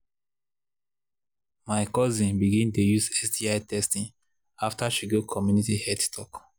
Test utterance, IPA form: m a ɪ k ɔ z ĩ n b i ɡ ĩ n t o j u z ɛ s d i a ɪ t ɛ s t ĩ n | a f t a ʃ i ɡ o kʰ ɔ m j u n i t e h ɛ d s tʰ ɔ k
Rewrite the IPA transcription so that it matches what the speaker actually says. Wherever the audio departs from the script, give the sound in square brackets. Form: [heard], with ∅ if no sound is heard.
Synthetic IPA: m a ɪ k ɔ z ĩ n b i ɡ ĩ n t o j u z ɛ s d i a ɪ t ɛ s t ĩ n | a f t a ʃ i ɡ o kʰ ɔ m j u n i t [i] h ɛ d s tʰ ɔ k